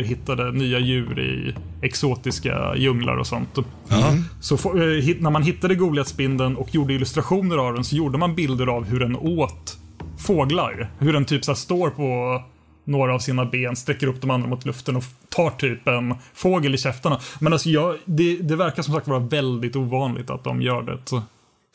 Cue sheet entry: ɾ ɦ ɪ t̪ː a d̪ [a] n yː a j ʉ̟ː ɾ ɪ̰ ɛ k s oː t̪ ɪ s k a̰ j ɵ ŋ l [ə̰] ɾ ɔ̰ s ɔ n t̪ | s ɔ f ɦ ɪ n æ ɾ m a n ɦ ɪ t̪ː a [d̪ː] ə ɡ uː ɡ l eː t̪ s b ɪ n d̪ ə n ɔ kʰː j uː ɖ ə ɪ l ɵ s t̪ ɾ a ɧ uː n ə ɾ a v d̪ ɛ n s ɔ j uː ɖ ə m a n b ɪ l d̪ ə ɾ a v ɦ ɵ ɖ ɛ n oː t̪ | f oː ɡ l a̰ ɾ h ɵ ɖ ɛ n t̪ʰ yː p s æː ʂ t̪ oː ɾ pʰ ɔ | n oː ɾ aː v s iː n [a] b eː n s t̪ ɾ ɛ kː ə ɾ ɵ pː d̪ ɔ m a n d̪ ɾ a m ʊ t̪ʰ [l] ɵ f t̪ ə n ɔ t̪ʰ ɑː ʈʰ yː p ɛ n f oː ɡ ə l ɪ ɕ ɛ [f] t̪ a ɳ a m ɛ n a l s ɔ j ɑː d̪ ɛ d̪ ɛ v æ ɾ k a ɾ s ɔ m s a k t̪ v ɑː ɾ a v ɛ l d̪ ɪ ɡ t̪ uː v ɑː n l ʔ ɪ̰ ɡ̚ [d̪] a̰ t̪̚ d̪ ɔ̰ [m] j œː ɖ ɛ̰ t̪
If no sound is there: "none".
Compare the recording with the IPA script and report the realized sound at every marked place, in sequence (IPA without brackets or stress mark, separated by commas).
ə, a̰, d̪, a, l, f, t̪, m